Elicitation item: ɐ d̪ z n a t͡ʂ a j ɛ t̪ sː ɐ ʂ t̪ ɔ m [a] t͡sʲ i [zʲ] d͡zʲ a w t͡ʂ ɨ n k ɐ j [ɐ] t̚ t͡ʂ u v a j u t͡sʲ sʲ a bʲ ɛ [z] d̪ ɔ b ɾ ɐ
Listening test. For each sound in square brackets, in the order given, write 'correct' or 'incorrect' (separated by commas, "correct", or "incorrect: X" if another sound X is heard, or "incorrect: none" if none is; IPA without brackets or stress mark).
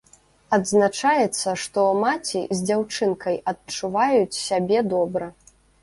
correct, correct, correct, incorrect: none